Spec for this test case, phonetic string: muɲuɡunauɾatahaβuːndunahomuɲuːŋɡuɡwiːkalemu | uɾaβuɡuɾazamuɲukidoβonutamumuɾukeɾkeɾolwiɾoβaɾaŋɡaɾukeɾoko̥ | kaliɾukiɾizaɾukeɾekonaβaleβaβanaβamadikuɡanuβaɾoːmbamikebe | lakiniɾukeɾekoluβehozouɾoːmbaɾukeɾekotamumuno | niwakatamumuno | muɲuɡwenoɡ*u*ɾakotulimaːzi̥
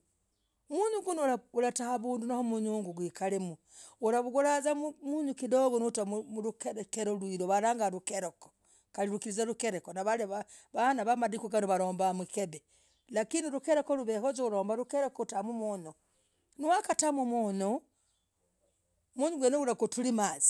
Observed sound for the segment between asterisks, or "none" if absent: u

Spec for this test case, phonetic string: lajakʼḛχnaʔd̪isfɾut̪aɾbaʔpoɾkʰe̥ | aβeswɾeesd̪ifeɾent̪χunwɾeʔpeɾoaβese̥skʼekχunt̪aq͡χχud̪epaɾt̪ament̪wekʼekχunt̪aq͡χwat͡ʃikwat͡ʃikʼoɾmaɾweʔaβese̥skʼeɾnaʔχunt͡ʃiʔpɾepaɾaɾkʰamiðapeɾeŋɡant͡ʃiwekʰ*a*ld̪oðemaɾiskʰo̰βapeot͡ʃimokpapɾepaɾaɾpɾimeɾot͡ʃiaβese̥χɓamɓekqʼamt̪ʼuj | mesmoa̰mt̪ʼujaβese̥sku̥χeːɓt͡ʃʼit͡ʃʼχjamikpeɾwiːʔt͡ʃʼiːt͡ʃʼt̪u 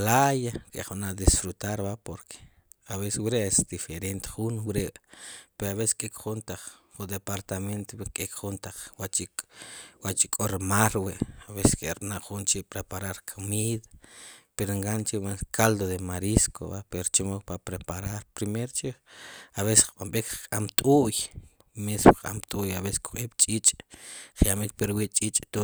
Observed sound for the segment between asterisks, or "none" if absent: a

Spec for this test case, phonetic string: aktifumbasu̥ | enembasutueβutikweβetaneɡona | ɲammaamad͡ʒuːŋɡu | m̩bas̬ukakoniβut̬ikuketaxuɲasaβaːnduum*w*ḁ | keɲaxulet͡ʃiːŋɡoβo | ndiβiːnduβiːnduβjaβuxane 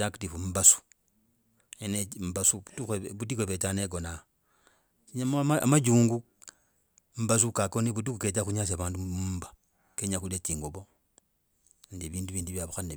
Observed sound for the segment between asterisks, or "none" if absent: b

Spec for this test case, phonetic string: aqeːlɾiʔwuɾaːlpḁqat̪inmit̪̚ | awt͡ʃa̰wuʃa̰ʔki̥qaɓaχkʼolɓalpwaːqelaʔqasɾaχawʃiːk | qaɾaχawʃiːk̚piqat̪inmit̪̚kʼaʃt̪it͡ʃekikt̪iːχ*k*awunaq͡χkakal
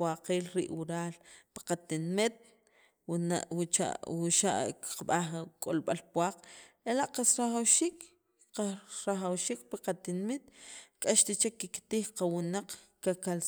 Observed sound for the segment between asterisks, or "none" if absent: q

